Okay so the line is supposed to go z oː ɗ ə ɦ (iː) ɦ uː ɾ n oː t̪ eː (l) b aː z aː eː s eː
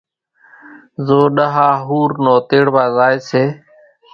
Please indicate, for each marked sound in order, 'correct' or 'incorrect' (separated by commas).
incorrect, incorrect